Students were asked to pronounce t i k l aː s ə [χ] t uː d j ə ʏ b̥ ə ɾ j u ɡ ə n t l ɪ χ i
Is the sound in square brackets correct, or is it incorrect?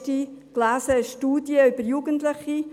incorrect